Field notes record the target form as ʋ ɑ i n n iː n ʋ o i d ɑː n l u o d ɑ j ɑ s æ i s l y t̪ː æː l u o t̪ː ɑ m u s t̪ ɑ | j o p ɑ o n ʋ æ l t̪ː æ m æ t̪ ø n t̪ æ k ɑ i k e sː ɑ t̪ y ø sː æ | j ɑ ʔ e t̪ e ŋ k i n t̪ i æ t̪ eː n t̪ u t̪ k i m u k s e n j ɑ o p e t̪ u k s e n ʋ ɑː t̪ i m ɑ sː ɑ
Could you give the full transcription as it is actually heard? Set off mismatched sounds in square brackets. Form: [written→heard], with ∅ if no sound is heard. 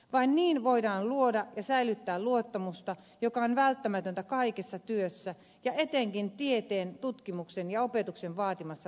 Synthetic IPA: ʋ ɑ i n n iː n ʋ o i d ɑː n l u o d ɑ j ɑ s æ i [s→∅] l y t̪ː æː l u o t̪ː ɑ m u s t̪ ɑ | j o [p→k] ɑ o n ʋ æ l t̪ː æ m æ t̪ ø n t̪ æ k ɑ i k e sː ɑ t̪ y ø sː æ | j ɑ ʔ e t̪ e ŋ k i n t̪ i [æ→e] t̪ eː n t̪ u t̪ k i m u k s e n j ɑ o p e t̪ u k s e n ʋ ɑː t̪ i m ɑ sː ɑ